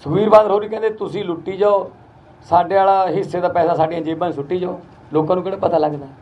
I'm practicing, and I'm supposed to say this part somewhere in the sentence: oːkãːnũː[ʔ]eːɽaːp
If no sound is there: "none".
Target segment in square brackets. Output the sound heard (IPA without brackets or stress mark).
k